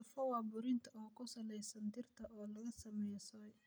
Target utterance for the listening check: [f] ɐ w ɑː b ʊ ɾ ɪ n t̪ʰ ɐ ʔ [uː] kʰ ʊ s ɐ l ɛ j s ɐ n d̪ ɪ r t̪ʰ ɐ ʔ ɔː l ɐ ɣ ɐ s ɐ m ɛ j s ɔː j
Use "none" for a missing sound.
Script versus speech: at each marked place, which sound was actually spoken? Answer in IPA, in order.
f, ɔː

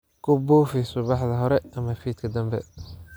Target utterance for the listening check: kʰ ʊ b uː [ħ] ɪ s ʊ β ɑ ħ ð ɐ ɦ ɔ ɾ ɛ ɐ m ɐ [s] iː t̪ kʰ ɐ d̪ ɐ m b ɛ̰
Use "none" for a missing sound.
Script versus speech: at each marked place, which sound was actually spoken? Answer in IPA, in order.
f, f

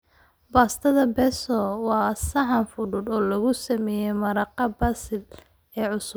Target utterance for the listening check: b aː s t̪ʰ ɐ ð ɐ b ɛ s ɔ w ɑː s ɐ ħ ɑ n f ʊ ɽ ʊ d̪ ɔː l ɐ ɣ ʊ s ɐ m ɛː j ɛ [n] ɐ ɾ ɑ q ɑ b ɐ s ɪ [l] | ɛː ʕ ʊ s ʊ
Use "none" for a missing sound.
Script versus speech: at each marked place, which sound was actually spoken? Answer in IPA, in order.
m, l

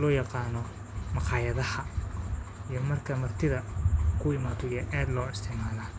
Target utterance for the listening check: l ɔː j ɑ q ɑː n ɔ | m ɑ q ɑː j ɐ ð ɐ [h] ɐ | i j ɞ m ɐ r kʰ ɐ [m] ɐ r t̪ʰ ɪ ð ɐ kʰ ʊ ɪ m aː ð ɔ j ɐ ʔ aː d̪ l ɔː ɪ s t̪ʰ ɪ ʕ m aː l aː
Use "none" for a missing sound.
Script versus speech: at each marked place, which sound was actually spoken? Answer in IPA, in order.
h, m

